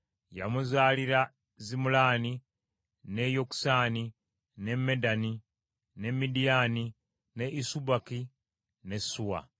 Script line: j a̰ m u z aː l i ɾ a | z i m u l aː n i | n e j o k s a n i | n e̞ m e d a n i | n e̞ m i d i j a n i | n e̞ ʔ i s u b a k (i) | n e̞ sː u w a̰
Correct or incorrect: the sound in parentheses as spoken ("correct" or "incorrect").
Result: correct